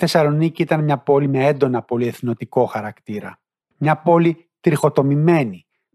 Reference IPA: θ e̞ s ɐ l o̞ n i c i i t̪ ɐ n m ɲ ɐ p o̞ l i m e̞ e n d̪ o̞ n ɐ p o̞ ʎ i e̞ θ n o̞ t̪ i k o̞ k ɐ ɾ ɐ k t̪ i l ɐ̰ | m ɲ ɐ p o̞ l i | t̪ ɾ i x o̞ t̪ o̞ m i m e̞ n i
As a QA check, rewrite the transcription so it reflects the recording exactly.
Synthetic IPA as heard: θ e̞ s ɐ l o̞ n i c i i t̪ ɐ n m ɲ ɐ p o̞ l i m e̞ e n d̪ o̞ n ɐ p o̞ l i e̞ θ n o̞ t̪ i k o̞ x ɐ ɾ ɐ k t̪ i ɾ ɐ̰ | m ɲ ɐ p o̞ l i | t̪ ɾ i x o̞ t̪ o̞ m i m e̞ n i